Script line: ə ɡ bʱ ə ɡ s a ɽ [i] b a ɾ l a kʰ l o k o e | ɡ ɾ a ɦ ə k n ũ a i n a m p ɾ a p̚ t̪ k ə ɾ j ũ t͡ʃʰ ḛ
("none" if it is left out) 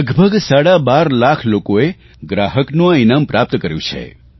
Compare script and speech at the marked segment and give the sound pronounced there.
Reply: a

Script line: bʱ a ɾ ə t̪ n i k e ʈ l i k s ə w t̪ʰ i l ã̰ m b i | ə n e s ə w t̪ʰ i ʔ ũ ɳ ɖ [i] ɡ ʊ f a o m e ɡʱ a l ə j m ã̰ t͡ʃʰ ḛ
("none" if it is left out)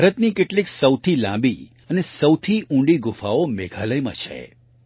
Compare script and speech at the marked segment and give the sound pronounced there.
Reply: i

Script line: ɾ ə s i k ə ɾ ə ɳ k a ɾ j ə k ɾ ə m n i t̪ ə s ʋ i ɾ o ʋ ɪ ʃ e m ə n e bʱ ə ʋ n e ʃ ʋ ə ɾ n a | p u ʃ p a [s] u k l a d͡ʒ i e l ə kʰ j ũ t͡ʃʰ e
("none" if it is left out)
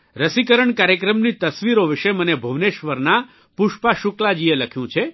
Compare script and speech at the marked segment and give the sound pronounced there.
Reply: ʃ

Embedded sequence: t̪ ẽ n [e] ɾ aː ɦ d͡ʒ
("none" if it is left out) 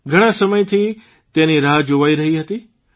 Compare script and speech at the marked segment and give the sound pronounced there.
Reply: i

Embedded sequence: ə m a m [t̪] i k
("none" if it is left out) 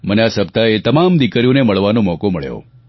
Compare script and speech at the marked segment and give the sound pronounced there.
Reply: d̪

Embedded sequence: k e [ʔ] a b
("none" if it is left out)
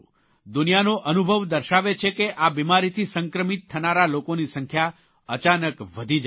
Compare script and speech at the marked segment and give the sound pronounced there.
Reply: ʔ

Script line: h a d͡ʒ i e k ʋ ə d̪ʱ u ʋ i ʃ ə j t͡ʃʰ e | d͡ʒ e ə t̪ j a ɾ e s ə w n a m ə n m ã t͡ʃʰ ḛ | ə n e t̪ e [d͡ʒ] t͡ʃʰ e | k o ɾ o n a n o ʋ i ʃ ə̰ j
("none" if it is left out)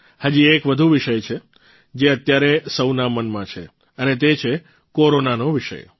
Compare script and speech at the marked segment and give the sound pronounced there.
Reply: none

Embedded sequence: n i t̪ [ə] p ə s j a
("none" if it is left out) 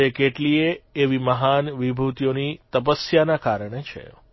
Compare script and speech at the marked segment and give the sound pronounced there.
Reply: ə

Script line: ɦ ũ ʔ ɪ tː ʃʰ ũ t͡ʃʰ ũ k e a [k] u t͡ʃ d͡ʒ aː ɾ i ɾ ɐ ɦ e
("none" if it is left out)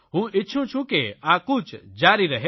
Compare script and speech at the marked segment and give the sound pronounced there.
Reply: k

